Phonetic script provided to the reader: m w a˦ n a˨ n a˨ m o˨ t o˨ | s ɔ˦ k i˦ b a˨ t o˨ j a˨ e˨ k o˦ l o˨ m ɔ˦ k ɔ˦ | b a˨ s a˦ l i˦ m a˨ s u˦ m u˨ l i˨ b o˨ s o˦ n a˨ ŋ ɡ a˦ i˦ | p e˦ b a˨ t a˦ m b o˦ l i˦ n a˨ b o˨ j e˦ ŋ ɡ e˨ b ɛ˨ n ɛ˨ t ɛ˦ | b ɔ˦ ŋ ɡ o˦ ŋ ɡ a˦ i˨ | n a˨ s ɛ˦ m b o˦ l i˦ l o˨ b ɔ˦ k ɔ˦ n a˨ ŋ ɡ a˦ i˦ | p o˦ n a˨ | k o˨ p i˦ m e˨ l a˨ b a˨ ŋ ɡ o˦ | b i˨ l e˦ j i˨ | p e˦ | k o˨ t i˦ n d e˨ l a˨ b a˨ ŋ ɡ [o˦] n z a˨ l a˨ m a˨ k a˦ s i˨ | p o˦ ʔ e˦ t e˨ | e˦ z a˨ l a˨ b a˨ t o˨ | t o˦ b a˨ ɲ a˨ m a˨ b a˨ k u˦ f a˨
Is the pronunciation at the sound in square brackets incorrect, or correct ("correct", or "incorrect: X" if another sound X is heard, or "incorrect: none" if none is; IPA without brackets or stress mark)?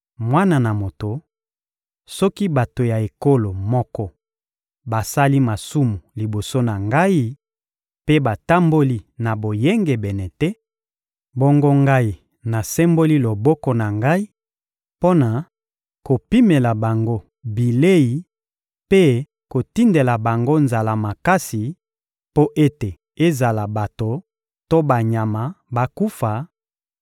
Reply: correct